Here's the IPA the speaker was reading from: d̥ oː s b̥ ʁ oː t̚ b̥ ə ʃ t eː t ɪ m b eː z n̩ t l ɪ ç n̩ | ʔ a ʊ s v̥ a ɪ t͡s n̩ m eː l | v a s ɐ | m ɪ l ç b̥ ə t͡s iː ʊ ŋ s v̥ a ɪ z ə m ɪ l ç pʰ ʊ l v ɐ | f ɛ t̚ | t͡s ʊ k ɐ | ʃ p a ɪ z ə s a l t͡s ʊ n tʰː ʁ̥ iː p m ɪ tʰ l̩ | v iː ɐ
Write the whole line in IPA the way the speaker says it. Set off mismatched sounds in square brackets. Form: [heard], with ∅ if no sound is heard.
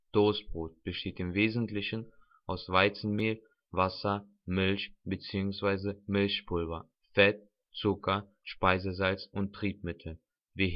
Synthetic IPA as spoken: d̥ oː s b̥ ʁ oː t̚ b̥ ə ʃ t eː t ɪ m [v] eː z n̩ t l ɪ ç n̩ | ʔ a ʊ s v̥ a ɪ t͡s n̩ m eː l | v a s ɐ | m ɪ l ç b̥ ə t͡s iː ʊ ŋ s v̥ a ɪ z ə m ɪ l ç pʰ ʊ l v ɐ | f ɛ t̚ | t͡s ʊ k ɐ | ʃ p a ɪ z ə [z] a l t͡s ʊ n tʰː ʁ̥ iː p m ɪ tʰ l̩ | v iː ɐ